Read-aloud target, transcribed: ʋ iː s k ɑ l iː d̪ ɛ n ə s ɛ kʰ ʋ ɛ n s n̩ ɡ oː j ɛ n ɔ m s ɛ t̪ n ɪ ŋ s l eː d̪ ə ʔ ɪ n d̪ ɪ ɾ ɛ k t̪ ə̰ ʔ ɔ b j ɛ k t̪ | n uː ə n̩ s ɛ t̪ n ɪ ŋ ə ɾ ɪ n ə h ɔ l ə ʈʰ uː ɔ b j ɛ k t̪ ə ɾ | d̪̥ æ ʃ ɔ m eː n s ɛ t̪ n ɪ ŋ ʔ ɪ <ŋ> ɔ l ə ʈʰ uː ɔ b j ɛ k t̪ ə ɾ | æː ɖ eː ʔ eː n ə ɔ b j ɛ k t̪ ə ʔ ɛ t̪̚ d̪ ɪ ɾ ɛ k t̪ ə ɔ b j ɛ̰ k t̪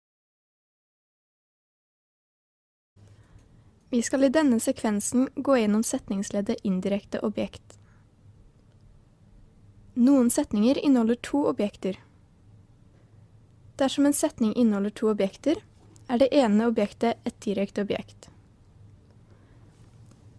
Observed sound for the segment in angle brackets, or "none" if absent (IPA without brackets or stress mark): n